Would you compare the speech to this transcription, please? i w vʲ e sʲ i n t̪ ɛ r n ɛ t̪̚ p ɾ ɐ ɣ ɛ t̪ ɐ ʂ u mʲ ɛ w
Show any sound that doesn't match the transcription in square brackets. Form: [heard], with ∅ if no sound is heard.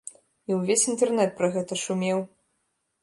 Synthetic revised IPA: i w vʲ e sʲ i n t̪ ɛ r n ɛ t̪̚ p ɾ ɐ ɣ ɛ t̪ ɐ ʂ u mʲ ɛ w

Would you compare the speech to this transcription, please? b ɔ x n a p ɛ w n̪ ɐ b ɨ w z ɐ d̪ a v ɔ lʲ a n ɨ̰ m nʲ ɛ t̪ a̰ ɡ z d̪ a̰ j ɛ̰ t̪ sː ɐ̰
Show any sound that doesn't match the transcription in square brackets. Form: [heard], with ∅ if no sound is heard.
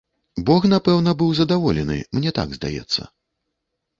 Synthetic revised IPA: b ɔ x n a p ɛ w n̪ ɐ b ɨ w z ɐ d̪ a v ɔ lʲ [ɛ] n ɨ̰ m nʲ ɛ t̪ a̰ ɡ z d̪ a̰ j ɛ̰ t̪ sː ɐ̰

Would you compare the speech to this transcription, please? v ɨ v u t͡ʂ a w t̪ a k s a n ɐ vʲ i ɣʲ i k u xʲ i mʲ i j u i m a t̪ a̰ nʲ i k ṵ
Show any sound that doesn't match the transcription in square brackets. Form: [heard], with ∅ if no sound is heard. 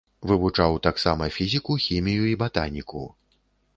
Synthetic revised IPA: v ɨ v u t͡ʂ a w t̪ a k s a [m] ɐ [fʲ] i [zʲ] i k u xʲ i mʲ i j u i [b] a t̪ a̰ nʲ i k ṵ

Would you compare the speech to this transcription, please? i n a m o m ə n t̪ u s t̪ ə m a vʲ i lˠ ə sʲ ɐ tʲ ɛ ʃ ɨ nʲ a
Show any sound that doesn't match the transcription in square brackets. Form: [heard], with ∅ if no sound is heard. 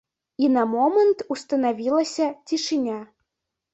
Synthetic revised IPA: i n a m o m ə n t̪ u s t̪ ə [n] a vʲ i lˠ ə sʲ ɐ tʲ [i] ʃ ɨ nʲ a

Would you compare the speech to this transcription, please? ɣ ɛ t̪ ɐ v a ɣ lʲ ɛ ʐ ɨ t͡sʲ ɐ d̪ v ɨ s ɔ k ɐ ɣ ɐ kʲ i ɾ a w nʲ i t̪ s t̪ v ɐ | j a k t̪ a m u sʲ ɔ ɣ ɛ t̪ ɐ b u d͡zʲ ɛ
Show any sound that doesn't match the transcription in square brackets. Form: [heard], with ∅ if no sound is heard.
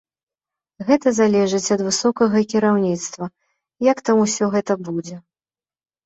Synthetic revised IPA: ɣ ɛ t̪ ɐ [z] a [∅] lʲ ɛ ʐ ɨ t͡sʲ ɐ d̪ v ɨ s ɔ k ɐ ɣ ɐ kʲ i ɾ a w nʲ i t̪ s t̪ v ɐ | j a k t̪ a m u sʲ ɔ ɣ ɛ t̪ ɐ b u d͡zʲ ɛ

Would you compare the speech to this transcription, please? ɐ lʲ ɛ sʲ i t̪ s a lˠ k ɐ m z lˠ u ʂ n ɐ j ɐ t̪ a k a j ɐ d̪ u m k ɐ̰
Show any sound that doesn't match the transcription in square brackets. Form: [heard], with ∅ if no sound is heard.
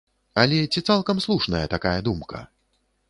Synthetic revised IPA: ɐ lʲ ɛ [t͡sʲ] i t̪ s a lˠ k ɐ m [s] lˠ u ʂ n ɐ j ɐ t̪ a k a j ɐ d̪ u m k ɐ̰

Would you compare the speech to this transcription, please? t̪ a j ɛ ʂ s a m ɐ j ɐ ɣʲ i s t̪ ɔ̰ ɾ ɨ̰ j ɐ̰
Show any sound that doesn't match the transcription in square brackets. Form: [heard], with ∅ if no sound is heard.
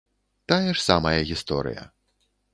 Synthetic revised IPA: t̪ a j ɛ ʂ s a m ɐ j ɐ ɣʲ i s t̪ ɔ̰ ɾ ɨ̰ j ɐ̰

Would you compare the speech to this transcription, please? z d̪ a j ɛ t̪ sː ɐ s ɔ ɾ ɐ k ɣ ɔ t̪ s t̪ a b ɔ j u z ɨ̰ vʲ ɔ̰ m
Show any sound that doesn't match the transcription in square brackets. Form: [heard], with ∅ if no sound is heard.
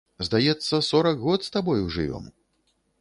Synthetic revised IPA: z d̪ a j ɛ t̪ sː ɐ s ɔ ɾ ɐ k ɣ ɔ t̪ s t̪ a b ɔ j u [ʐ] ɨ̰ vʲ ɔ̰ m

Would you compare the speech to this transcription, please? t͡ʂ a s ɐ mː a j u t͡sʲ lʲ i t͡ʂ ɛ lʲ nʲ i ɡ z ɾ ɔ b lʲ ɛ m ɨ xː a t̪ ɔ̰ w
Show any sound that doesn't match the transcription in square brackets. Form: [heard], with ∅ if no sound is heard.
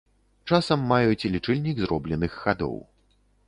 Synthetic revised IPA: t͡ʂ a s ɐ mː a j u t͡sʲ lʲ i t͡ʂ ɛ lʲ nʲ i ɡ z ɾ ɔ b lʲ ɛ [n] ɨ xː a [d̪] ɔ̰ w

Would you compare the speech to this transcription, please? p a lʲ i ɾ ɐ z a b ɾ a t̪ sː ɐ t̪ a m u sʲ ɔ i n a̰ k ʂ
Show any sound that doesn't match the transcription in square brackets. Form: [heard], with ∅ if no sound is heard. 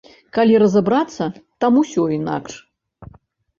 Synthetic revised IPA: [k] a lʲ i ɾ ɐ z a b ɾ a t̪ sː ɐ t̪ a m u sʲ ɔ i n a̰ k ʂ

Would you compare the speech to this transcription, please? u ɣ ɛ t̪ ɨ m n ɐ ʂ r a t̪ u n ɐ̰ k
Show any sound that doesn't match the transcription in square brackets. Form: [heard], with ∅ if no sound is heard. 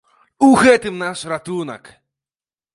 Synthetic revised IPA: u ɣ ɛ t̪ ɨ m n [a] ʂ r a t̪ u n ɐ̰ k

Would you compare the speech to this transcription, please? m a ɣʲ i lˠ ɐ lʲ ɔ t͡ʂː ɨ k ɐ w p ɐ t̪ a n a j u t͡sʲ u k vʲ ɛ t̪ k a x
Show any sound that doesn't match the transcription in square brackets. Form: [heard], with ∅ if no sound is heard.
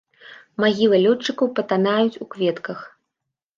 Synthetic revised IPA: m a ɣʲ i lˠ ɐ lʲ ɔ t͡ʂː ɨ k ɐ w p ɐ t̪ a n a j u t͡sʲ u k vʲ ɛ t̪ k [ɐ] x

